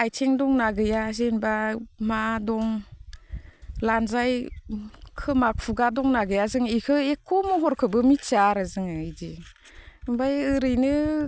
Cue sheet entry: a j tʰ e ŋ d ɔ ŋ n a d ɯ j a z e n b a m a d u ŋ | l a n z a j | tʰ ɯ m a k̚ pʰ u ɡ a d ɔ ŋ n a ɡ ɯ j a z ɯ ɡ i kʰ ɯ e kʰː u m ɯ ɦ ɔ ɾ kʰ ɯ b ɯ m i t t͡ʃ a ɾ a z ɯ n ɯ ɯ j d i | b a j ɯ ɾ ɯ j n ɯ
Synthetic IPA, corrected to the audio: a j tʰ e ŋ d ɔ ŋ n a ɡ ɯ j a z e n b a m a d ɔ ŋ | l a n z a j | kʰ ɯ m a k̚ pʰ u ɡ a d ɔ ŋ n a ɡ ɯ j a z ɯ ŋ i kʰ ɯ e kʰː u m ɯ ɦ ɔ ɾ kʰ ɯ b ɯ m i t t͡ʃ a ɾ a z ɯ ŋ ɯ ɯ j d i | b a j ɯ ɾ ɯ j n ɯ

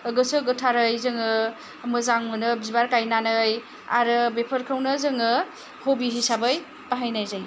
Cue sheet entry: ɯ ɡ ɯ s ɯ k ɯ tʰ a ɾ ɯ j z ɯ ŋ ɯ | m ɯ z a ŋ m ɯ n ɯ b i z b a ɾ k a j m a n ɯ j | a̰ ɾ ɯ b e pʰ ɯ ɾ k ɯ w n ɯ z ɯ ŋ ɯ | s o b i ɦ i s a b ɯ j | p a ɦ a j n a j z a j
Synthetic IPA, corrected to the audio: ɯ ɡ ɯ s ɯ ɡ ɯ tʰ a ɾ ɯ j z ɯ ŋ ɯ | m ɯ z a ŋ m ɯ n ɯ b i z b a ɾ k a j n a n ɯ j | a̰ ɾ ɯ b e pʰ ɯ ɾ kʰ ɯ w n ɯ z ɯ ŋ ɯ | h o b i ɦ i s a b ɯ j | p a ɦ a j n a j z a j

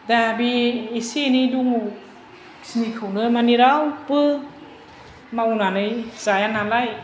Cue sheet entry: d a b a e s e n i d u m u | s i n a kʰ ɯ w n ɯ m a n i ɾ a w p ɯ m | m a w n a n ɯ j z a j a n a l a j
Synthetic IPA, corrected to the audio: d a b i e s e n i d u ŋ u | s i n i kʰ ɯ w n ɯ m a n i ɾ a w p ɯ | m a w n a n ɯ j z a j a n a l a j

